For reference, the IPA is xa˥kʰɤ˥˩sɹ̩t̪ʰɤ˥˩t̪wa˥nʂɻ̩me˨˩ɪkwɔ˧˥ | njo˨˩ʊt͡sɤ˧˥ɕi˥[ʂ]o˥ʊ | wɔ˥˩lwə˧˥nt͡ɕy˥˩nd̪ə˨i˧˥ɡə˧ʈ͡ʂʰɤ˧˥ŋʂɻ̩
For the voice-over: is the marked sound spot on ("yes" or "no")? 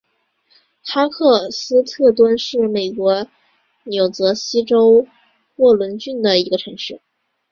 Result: no